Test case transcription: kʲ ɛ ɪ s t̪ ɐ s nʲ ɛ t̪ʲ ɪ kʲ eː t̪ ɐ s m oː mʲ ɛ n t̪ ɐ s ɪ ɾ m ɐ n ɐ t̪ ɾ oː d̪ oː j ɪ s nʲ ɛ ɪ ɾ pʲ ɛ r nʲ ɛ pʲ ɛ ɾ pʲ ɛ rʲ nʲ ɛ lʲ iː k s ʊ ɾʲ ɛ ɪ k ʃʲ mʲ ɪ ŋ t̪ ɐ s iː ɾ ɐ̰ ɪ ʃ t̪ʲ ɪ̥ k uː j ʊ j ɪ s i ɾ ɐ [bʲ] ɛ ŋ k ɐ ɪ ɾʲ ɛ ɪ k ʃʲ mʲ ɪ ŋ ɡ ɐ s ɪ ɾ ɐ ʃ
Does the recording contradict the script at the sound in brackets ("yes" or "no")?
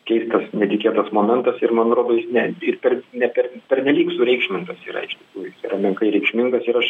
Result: yes